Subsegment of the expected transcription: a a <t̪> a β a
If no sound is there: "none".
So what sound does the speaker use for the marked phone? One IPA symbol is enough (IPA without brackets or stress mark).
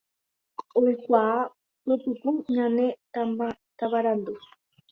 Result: t̪